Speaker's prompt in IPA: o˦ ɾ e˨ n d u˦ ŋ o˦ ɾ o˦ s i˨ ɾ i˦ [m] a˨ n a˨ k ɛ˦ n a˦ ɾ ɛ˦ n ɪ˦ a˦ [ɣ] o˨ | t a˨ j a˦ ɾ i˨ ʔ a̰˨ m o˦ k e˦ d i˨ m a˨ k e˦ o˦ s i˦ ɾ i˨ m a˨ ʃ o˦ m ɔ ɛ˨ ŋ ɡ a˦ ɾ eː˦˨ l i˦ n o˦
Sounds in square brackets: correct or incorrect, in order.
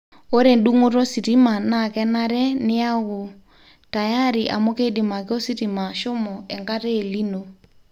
correct, correct

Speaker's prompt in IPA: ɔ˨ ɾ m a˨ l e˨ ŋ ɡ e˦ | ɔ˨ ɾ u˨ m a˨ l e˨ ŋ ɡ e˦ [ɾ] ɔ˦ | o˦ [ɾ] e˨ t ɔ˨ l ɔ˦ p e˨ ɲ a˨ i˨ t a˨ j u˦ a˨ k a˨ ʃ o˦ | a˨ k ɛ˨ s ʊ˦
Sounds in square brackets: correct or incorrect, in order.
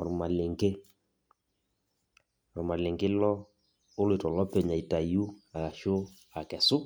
incorrect, incorrect

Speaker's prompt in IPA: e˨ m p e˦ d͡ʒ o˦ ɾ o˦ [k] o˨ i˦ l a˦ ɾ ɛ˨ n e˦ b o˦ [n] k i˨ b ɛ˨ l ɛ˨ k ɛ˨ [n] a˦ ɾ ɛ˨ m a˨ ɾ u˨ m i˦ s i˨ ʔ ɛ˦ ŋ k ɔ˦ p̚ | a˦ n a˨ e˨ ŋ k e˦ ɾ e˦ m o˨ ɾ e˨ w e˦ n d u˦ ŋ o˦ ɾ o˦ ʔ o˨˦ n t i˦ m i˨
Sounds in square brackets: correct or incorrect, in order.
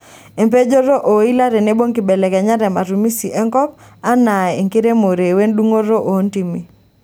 incorrect, incorrect, incorrect

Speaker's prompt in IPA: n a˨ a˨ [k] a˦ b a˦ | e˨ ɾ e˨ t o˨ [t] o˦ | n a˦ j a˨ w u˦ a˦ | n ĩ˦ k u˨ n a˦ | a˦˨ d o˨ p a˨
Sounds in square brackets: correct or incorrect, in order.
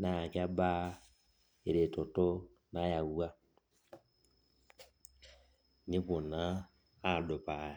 correct, correct

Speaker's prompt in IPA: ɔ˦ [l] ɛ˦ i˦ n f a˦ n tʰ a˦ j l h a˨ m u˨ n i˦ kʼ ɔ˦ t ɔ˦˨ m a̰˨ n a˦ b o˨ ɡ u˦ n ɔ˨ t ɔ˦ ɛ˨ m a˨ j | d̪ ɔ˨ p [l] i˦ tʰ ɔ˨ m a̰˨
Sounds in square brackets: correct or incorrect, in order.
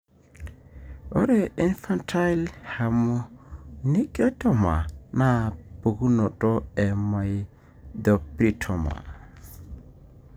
incorrect, incorrect

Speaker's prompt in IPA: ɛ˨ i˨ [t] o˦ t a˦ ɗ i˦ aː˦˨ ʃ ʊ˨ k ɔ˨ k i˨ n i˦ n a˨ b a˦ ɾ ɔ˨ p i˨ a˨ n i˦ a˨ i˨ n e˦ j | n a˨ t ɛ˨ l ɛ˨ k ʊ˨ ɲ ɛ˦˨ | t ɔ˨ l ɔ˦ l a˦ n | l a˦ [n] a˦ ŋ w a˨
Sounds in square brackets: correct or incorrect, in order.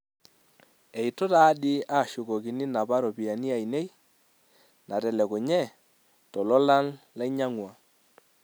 correct, incorrect

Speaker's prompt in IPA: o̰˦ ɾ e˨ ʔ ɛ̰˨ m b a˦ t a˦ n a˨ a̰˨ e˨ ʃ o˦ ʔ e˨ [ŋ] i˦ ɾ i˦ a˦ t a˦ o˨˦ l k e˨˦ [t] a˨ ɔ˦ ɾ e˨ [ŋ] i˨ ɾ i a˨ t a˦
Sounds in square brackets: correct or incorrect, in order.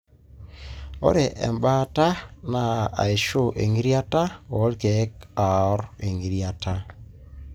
correct, incorrect, correct

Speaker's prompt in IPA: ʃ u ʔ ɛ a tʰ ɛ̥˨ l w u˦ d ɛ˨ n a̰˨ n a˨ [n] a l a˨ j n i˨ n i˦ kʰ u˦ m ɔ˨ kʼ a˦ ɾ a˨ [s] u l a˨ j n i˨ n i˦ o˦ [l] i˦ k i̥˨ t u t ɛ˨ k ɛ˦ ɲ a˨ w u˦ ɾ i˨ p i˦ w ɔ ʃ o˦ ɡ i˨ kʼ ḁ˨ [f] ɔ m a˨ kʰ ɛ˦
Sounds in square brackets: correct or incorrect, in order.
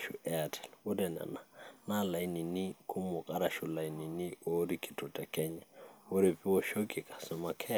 correct, incorrect, incorrect, incorrect

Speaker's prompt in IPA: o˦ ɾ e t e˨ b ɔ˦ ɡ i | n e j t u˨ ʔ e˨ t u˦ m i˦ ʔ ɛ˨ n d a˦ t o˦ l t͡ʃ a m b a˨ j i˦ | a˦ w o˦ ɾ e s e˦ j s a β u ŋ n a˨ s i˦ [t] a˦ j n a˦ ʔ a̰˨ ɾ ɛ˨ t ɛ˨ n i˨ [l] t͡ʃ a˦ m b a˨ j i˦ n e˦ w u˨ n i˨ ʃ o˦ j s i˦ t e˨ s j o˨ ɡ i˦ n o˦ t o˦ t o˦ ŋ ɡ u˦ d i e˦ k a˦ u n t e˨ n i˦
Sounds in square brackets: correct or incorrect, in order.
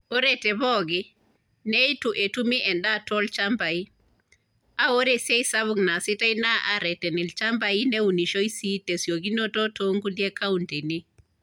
correct, correct

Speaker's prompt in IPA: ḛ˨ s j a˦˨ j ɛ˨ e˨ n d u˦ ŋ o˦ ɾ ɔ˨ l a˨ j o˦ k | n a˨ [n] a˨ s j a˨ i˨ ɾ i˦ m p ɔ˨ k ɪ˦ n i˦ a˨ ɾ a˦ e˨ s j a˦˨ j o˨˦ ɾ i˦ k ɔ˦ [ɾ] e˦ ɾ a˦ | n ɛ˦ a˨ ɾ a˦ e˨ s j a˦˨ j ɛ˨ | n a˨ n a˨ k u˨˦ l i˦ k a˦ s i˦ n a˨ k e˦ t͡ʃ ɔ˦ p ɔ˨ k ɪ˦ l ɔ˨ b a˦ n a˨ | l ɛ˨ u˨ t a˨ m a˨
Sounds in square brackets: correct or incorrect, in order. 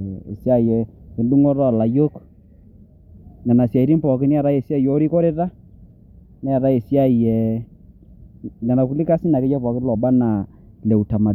correct, correct

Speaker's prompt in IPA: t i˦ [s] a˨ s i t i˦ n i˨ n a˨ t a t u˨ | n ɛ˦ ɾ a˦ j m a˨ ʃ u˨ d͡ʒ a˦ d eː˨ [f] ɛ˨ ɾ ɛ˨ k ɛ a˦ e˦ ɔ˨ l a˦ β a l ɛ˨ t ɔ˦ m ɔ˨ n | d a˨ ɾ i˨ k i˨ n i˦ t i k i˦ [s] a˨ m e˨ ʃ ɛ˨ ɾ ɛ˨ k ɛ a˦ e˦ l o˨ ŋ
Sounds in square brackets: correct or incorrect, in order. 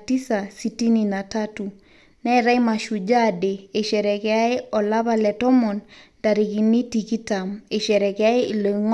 correct, incorrect, incorrect

